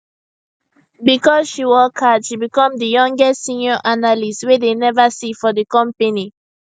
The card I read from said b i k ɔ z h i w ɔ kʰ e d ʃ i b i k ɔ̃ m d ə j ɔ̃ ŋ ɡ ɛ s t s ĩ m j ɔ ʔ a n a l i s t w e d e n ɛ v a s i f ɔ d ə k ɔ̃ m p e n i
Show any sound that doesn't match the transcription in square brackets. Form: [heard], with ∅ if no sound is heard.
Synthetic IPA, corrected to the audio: b i k ɔ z [ʃ] i w ɔ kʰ [a] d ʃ i b i k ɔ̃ m d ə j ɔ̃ ŋ ɡ ɛ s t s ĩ [n] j ɔ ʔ a n a l i s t w e d e n ɛ v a s i f ɔ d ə k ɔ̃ m p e n i